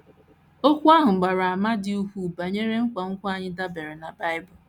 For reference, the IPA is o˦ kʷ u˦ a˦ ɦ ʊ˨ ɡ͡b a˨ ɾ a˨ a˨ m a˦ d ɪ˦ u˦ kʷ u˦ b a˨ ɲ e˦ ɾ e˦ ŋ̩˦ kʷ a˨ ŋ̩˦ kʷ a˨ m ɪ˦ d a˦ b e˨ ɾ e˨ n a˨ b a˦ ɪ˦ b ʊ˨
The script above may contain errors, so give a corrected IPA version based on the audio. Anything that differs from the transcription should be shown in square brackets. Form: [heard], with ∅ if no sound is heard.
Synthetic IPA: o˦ kʷ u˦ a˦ ɦ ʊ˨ ɡ͡b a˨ ɾ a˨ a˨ m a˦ d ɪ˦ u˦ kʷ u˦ b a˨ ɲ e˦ ɾ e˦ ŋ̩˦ kʷ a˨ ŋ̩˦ kʷ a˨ [ɲ] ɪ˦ d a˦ b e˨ ɾ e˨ n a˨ b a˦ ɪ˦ b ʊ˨

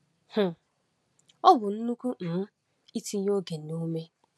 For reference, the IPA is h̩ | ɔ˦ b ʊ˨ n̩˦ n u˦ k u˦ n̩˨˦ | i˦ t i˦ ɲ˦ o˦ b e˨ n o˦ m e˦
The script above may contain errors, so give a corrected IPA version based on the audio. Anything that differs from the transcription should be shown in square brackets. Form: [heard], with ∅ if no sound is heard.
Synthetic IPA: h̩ | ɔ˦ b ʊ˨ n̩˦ n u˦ k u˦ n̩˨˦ | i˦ t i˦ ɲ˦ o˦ [ɡ] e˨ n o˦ m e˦

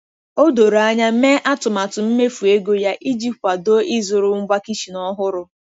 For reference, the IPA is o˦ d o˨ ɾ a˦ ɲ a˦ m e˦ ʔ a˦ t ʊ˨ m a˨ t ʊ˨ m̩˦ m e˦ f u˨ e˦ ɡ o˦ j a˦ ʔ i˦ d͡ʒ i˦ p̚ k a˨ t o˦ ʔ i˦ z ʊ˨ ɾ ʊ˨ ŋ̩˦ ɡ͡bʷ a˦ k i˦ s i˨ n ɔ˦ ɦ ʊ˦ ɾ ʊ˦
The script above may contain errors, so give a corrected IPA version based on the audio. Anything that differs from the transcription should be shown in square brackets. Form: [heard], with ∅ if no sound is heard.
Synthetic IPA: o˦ d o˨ ɾ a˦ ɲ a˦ m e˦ ʔ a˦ t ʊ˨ m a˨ t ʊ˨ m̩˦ m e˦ f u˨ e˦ ɡ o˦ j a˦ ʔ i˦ d͡ʒ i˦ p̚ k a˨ [d] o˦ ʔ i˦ z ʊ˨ ɾ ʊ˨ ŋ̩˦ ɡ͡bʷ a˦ k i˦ [ʃ] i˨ n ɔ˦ ɦ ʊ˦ ɾ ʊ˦

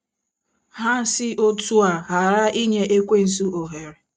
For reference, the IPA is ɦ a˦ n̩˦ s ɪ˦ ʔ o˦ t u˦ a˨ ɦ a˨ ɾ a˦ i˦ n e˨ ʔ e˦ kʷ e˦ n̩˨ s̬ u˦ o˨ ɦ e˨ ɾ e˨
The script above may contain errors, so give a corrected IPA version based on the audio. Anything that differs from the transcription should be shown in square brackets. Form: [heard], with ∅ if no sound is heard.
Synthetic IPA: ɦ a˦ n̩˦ s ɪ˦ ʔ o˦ t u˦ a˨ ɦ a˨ ɾ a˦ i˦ [ɲ] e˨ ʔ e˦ kʷ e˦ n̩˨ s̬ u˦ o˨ ɦ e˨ ɾ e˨

